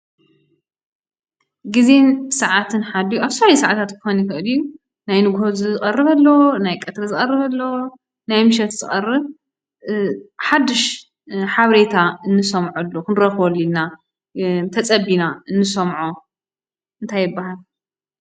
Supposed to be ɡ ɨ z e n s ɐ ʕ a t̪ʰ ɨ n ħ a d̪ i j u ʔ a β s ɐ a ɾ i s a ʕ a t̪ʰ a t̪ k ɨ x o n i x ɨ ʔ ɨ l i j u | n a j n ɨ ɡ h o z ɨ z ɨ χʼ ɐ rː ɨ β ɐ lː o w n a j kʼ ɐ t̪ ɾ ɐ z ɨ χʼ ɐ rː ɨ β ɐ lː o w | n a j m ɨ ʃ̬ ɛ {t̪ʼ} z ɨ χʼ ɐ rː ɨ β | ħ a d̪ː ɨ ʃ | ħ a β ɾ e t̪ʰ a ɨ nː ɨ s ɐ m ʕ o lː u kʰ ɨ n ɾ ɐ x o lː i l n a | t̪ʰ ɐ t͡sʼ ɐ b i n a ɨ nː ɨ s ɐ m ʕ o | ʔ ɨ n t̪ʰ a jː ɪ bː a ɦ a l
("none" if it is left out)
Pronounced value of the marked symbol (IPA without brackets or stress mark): t̪